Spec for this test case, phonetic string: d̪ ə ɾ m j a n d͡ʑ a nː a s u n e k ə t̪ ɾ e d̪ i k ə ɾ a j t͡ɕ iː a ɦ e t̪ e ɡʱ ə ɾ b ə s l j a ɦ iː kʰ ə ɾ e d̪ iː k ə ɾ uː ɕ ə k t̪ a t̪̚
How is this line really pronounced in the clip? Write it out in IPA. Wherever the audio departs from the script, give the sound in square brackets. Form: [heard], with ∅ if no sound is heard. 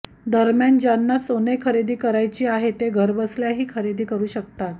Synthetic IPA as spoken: d̪ ə ɾ m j a n d͡ʑ a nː a s [o] n e [kʰ] ə [∅] ɾ e d̪ [iː] k ə ɾ a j t͡ɕ iː a ɦ e t̪ e ɡʱ ə ɾ b ə s l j a ɦ iː kʰ ə ɾ e d̪ iː k ə ɾ uː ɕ ə k t̪ a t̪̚